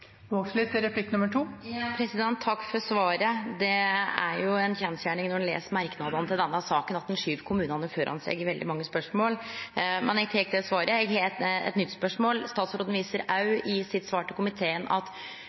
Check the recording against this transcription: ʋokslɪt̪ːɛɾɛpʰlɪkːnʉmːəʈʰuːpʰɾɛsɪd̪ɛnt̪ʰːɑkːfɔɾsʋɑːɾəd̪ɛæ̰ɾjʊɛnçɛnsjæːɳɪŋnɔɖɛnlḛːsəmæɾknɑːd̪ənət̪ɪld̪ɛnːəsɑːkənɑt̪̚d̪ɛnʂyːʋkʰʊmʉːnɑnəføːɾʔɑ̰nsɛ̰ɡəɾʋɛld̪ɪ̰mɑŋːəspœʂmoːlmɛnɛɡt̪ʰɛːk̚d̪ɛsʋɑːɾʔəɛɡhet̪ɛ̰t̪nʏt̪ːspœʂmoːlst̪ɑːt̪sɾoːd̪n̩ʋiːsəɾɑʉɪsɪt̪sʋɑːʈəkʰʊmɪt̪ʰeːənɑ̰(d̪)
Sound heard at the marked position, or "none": t̪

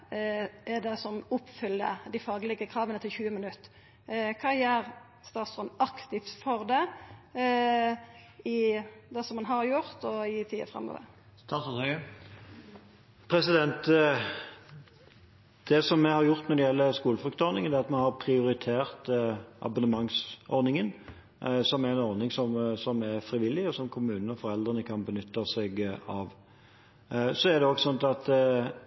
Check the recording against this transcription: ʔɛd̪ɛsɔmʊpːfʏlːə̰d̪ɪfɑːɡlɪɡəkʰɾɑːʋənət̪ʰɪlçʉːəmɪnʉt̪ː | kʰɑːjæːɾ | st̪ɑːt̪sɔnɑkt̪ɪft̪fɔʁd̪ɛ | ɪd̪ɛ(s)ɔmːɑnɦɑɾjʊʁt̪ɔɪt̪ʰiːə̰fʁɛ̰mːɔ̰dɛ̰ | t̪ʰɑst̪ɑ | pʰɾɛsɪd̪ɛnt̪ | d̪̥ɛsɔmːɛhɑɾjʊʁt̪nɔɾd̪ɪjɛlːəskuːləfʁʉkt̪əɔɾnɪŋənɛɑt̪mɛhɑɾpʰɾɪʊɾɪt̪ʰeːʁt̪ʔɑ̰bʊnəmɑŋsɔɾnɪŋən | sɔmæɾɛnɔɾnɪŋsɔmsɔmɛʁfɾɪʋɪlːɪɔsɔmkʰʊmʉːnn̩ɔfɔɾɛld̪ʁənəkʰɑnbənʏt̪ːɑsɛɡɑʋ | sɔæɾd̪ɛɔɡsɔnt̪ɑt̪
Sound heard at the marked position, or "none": s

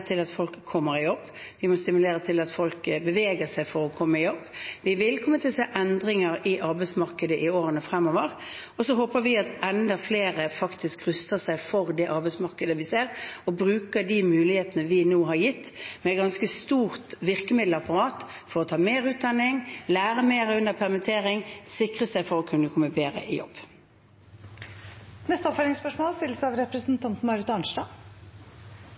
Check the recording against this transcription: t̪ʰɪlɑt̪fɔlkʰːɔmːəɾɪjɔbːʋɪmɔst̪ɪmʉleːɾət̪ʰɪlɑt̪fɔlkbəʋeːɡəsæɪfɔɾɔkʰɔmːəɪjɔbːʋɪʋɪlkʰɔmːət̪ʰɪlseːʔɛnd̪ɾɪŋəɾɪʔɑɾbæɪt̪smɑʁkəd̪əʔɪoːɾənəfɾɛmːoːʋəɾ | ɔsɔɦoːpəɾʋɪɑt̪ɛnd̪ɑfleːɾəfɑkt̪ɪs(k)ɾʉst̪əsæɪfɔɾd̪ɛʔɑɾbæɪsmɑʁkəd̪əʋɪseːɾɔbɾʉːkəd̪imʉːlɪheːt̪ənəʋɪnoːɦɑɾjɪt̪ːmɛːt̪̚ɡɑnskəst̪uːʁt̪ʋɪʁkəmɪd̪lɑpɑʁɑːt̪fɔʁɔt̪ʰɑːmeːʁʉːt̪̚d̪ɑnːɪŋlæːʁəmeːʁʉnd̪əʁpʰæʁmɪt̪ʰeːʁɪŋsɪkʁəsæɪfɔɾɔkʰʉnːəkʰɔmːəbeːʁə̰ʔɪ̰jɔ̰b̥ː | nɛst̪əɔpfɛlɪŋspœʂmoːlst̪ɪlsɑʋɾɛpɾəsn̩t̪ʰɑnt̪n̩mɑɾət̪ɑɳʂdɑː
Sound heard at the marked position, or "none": k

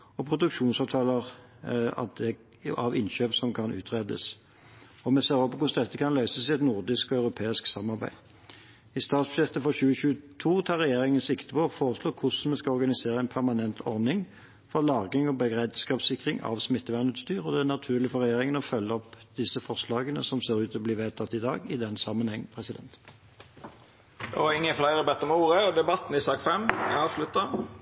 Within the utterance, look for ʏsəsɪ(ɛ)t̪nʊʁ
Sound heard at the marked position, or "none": ɛ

